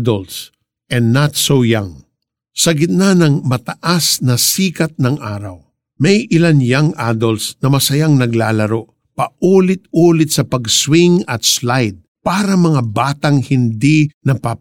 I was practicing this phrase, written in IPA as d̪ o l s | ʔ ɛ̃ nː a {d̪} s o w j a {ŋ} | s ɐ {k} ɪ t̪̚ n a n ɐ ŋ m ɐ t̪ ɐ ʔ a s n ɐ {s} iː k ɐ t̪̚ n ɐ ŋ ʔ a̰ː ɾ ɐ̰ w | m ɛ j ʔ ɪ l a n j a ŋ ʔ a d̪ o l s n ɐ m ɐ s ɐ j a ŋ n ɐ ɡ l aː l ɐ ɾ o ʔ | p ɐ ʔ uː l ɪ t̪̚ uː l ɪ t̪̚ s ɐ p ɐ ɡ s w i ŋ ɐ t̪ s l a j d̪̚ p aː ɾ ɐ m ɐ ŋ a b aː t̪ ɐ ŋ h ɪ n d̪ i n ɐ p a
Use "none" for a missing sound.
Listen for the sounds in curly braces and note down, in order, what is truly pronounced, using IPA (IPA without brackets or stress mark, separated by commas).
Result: t̪, ŋ, ɡ, s